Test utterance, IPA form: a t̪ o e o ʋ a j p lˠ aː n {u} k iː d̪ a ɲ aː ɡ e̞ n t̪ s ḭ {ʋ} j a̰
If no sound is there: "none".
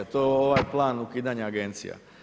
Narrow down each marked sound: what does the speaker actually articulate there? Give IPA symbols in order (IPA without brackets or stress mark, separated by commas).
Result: u, none